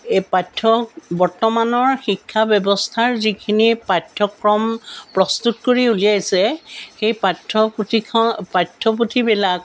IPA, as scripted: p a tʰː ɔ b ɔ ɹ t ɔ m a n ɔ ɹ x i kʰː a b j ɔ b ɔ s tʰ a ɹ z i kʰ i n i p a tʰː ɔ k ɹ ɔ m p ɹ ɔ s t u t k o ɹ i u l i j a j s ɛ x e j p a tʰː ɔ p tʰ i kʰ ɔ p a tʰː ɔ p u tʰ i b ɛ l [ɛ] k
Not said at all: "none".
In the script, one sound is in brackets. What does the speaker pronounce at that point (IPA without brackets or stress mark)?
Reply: a